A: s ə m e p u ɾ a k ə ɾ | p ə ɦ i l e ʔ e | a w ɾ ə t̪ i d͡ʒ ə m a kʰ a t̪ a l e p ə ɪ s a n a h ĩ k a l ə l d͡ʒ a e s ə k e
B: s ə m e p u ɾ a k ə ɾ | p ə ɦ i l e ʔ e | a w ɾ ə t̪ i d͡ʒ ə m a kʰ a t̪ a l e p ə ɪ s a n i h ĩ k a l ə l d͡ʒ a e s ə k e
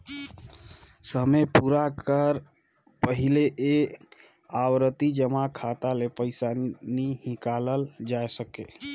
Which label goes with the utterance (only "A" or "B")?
B